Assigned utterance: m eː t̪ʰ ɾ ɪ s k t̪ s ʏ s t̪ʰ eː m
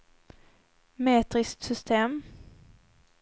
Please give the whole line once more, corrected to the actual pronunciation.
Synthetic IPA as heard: m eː t̪ ɾ ɪ s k t̪ s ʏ s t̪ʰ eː m

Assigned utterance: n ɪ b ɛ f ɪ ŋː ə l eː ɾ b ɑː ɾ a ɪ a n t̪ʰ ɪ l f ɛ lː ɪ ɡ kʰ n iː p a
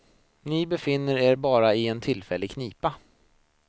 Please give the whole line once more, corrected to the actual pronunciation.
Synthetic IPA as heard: n ɪ b ɛ f ɪ nː ə ɾ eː ɾ b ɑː ɾ a ɪ ɛ n t̪ʰ ɪ l f ɛ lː ɪ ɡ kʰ n iː p a

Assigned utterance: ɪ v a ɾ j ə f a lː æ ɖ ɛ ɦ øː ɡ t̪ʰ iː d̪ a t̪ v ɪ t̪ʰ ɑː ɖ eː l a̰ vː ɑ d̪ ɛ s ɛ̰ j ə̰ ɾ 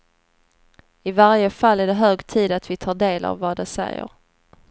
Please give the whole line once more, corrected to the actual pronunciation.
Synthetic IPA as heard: ɪ v a ɾ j ə f a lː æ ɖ ɛ ɦ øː ɡ t̪ʰ iː d̪ a t̪ v ɪ t̪ʰ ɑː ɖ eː l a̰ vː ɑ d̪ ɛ s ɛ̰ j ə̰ ɾ

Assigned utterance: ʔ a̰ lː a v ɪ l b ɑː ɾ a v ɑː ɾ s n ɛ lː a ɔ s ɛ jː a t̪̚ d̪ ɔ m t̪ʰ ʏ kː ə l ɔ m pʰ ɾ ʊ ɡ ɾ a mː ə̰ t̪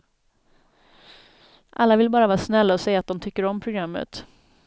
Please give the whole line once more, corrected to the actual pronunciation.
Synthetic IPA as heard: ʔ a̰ lː a v ɪ l b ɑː ɾ a v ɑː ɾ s n ɛ lː a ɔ s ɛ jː a t̪̚ d̪ ɔ m t̪ʰ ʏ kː ə ɾ ɔ m pʰ ɾ ʊ ɡ ɾ a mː ə̰ t̪

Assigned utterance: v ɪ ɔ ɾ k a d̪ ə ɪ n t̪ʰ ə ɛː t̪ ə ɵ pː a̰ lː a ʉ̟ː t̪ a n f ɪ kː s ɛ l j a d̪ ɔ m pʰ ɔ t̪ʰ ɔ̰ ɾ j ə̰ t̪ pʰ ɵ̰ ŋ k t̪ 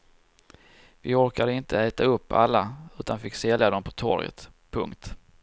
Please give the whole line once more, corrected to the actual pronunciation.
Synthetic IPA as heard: v ɪ ɔ ɾ k a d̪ ə ɪ n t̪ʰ ə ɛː t̪ a ɵ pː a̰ lː a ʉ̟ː t̪ a n f ɪ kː s ɛ l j a d̪ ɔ m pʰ ɔ t̪ʰ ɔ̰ ɾ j ə̰ t̪ pʰ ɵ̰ ŋ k t̪

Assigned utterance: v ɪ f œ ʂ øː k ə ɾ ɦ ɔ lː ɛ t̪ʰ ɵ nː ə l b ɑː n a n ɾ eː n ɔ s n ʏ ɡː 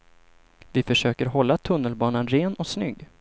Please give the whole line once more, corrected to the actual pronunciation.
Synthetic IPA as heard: v ɪ f œ ʂ øː k ə ɾ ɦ ɔ lː a t̪ʰ ɵ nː ə l b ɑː n a n ɾ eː n ɔ s n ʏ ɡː

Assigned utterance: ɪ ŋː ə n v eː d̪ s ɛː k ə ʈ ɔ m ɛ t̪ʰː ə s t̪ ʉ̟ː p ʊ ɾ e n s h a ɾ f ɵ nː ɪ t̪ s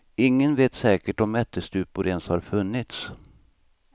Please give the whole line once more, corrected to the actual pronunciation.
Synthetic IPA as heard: ɪ ŋː ə n v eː t̪ s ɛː k ə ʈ ɔ m ɛ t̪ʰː ə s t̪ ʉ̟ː p ʊ ɾ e n s h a ɾ f ɵ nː ɪ t̪ s

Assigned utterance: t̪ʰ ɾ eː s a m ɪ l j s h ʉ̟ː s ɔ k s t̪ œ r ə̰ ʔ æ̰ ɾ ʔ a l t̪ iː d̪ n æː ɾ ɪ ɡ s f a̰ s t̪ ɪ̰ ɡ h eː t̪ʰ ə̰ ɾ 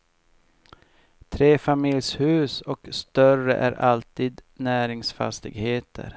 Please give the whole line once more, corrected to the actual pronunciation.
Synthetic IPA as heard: t̪ʰ ɾ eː f a m ɪ l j s h ʉ̟ː s ɔ k s t̪ œ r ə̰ ʔ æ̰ ɾ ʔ a l t̪ iː d̪ n æː ɾ ɪ ŋ s f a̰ s t̪ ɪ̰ ɡ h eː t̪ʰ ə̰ ɾ

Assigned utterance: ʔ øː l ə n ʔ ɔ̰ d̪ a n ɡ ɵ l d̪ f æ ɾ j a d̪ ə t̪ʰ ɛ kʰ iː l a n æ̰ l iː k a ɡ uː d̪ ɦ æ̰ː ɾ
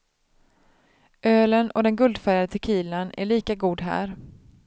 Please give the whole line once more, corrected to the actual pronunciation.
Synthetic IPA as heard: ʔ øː l ə n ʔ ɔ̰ d̪ ɛ n ɡ ɵ l d̪ f æ ɾ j a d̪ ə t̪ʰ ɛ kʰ iː l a n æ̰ ɭ iː k a ɡ uː d̪ ɦ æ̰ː ɾ

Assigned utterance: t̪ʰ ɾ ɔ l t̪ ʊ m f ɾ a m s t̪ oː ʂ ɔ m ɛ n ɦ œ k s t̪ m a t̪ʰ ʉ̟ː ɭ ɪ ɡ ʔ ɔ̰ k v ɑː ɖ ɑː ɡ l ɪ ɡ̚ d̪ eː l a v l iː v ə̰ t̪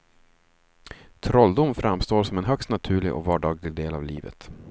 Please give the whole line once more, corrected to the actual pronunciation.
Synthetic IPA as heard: t̪ʰ ɾ ɔ l d̪ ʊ m f ɾ a m s t̪ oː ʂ ɔ m ɛ n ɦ œ k s t̪ n a t̪ʰ ʉ̟ː ɭ ɪ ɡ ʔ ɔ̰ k v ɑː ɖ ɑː ɡ l ɪ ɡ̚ d̪ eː l a v l iː v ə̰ t̪

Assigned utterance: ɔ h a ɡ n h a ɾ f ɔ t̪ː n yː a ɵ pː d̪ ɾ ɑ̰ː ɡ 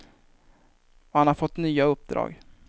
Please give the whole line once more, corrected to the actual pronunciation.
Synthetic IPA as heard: ɔ h a n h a ɾ f ɔ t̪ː n yː a ɵ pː d̪ ɾ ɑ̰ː ɡ

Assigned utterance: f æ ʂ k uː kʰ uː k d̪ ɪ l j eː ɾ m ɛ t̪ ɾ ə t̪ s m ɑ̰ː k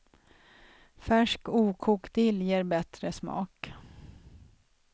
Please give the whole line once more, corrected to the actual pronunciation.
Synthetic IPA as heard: f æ ʂ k uː kʰ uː k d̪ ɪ l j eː ɾ b ɛ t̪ ɾ ə s m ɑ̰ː k

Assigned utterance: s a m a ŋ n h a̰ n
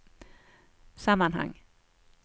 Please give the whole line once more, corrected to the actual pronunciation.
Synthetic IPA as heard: s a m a n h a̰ ŋ

